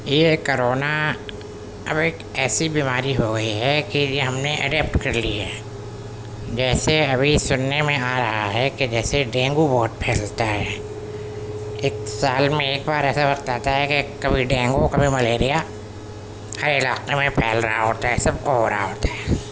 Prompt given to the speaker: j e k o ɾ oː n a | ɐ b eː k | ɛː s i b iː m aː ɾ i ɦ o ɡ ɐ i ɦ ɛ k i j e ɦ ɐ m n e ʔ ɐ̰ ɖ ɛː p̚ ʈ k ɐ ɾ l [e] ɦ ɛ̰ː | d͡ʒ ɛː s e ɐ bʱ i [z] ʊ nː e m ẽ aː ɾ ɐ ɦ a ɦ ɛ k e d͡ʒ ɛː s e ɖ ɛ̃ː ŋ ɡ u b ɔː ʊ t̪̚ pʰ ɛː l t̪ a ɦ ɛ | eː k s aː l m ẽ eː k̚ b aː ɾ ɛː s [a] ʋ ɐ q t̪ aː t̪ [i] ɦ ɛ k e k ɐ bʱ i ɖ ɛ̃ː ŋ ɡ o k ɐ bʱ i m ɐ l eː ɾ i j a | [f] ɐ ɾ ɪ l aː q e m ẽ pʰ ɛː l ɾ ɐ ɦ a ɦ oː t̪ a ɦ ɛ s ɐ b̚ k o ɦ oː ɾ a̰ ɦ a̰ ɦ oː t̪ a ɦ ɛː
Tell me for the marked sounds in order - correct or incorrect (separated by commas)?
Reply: incorrect, incorrect, correct, incorrect, incorrect